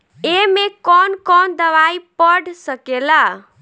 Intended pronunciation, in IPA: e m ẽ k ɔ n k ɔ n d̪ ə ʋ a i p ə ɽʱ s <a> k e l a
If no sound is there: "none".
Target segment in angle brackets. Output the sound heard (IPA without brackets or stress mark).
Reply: ə